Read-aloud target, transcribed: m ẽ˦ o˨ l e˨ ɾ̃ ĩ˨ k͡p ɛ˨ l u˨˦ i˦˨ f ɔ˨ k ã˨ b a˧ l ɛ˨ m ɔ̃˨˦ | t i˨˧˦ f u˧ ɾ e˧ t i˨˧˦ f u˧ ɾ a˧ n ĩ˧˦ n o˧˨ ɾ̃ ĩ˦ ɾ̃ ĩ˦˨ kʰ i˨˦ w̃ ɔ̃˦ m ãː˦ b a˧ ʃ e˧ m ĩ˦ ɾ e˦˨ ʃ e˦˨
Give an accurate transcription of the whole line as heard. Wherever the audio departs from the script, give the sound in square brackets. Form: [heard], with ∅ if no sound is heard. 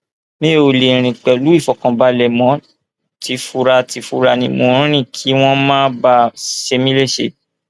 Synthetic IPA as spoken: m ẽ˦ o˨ l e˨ ɾ̃ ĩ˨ k͡p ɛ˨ l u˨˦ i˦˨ f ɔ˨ k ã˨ b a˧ l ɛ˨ m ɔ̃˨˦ | t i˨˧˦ f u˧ ɾ [a˧] t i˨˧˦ f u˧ ɾ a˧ n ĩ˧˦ [m] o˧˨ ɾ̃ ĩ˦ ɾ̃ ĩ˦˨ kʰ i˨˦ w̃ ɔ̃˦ m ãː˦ b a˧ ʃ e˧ m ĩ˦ [l] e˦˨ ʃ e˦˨